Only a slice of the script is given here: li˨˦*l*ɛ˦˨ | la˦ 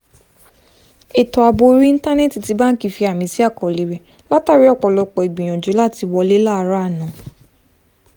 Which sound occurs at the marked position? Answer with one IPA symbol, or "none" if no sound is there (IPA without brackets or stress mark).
ɾ